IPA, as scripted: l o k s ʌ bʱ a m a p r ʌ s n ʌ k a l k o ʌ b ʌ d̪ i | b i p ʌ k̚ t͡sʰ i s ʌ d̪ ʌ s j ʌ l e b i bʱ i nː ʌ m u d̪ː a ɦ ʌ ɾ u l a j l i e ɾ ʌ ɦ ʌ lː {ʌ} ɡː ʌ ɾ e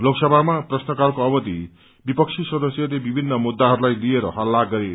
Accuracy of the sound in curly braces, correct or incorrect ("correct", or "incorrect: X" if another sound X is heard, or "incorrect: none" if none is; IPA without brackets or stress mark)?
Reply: incorrect: a